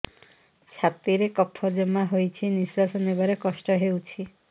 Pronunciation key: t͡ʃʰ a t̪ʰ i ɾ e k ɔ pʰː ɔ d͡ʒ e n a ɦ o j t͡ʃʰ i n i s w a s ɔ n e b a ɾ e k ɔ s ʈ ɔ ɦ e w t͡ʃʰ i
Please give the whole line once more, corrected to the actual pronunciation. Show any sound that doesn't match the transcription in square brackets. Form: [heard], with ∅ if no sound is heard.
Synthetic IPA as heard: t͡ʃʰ a [t̪] i ɾ e k ɔ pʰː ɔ d͡ʒ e [m] a ɦ o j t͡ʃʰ i n i s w a s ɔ n e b a ɾ e k ɔ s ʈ ɔ ɦ e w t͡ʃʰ i

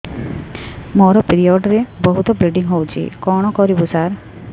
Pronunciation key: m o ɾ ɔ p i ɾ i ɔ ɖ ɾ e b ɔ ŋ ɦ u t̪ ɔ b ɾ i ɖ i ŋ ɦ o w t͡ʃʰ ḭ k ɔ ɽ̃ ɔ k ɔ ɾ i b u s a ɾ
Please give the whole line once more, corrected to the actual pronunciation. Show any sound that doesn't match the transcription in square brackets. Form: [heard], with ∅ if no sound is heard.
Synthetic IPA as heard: m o ɾ ɔ p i ɾ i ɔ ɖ ɾ e b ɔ [∅] ɦ u t̪ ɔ b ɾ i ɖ i ŋ ɦ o w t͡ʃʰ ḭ k ɔ ɽ̃ ɔ k ɔ ɾ i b u s a ɾ

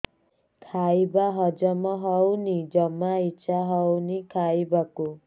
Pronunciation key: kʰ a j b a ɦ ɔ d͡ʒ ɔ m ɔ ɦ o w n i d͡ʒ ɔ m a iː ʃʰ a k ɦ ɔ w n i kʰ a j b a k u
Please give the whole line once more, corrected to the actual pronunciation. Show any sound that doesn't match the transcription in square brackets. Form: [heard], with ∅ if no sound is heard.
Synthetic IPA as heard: kʰ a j b a ɦ ɔ d͡ʒ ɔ m ɔ ɦ [ɔ] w n i d͡ʒ ɔ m a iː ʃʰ a [∅] ɦ ɔ w n i kʰ a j b a k u

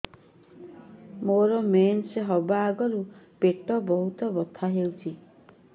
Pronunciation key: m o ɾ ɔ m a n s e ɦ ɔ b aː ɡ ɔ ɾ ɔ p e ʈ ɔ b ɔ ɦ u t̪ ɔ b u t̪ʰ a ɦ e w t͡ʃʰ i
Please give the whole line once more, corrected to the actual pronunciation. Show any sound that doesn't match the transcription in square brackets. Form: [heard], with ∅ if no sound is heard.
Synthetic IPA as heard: m o ɾ ɔ m [e] n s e ɦ ɔ b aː ɡ ɔ ɾ [u] p e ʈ ɔ b ɔ ɦ u t̪ ɔ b [ɔ] t̪ʰ a ɦ e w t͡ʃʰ i

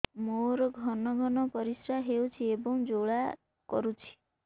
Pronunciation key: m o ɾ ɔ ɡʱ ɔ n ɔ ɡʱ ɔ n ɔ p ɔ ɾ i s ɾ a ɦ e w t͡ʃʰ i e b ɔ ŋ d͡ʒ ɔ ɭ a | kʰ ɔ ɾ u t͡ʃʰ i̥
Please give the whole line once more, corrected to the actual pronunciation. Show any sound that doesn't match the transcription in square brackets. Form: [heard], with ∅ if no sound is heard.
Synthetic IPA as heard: m o ɾ ɔ ɡʱ ɔ n ɔ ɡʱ ɔ n ɔ p ɔ ɾ i s ɾ a ɦ e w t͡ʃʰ i e b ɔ ŋ d͡ʒ [o] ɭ a | [k] ɔ ɾ u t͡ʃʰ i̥

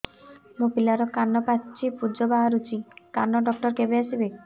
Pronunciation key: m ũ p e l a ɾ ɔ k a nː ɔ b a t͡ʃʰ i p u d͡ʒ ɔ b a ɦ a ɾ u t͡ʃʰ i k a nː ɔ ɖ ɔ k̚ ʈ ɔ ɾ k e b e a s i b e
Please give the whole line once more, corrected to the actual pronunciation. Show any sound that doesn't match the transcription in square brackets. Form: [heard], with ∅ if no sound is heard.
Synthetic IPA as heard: m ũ p [i] l a ɾ ɔ k a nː ɔ [p] a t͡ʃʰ i p u d͡ʒ ɔ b a ɦ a ɾ u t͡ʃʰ i k a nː ɔ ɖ ɔ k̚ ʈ ɔ ɾ k e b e a s i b e

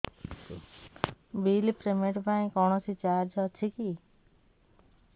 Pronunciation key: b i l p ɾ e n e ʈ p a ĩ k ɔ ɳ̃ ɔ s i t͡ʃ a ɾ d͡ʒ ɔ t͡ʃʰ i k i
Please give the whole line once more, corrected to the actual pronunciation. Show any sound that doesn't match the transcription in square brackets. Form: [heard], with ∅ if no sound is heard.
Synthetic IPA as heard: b i l p ɾ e [m] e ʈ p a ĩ k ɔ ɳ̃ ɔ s i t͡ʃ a ɾ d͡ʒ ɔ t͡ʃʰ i k i

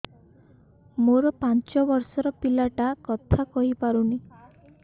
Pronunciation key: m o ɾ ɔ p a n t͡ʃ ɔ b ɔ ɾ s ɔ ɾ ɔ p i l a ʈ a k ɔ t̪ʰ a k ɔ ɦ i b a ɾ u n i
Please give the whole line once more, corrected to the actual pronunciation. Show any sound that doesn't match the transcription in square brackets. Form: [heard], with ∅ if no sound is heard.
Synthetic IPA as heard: m o ɾ ɔ p a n t͡ʃ ɔ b ɔ ɾ s ɔ ɾ ɔ p i l a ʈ a k ɔ t̪ʰ a k ɔ ɦ i [p] a ɾ u n i

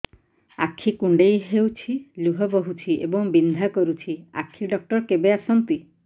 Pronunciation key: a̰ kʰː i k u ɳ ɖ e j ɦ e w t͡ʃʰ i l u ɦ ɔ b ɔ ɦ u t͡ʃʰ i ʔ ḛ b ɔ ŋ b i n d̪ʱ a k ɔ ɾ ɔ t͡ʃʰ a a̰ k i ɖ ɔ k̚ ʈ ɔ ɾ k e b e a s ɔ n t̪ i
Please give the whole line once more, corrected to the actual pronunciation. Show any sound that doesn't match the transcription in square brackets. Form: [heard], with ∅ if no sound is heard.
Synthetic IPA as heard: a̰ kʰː i k u ɳ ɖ e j ɦ e w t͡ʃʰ i l u ɦ ɔ b ɔ ɦ u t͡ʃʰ i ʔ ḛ b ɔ ŋ b i n d̪ʱ a k ɔ ɾ [u] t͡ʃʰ [i] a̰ [kʰ] i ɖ ɔ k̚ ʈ ɔ ɾ k e b e a s ɔ n t̪ i

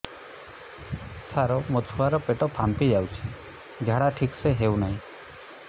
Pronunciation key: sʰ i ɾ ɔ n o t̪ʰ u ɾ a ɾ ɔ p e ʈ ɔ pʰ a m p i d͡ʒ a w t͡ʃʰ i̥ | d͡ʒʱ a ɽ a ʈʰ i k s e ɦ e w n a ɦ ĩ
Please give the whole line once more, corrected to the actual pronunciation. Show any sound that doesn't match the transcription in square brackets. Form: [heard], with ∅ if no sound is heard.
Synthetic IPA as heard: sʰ [a] ɾ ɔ [m] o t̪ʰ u [∅] a ɾ ɔ p e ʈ ɔ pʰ a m p i d͡ʒ a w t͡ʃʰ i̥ | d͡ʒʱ a ɽ a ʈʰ i k s e ɦ e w n a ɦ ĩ

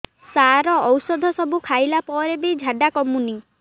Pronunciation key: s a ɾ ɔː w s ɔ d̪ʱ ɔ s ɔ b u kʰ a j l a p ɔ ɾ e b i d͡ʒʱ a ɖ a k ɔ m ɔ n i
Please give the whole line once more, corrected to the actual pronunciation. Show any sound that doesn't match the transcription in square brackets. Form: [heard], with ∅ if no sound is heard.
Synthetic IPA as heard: s a ɾ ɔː w s ɔ d̪ʱ ɔ s ɔ b u kʰ a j l a p ɔ ɾ e b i d͡ʒʱ a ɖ a k ɔ m [u] n i

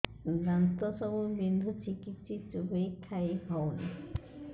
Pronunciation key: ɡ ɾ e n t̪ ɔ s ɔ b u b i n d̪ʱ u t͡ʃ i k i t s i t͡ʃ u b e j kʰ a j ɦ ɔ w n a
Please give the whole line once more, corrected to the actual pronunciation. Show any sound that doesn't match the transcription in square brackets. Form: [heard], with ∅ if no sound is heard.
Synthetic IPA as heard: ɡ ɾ [a] n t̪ ɔ s ɔ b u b i n d̪ʱ u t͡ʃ i k i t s i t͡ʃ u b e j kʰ a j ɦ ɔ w n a

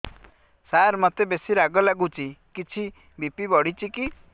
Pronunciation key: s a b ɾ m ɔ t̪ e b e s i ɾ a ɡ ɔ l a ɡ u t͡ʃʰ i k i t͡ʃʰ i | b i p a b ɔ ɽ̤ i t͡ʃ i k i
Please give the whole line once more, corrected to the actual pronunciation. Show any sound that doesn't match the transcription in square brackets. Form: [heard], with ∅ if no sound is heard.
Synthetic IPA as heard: s a [∅] ɾ m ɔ t̪ e b e s i ɾ a ɡ ɔ l a ɡ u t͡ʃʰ i k i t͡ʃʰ i | b i p [i] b ɔ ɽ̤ i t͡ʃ i k i

